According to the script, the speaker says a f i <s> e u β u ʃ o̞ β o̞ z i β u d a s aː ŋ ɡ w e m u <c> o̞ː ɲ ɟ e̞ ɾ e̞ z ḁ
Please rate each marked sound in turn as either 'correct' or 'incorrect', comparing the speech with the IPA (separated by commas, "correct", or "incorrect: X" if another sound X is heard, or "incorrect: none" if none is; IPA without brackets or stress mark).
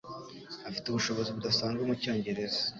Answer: incorrect: t, correct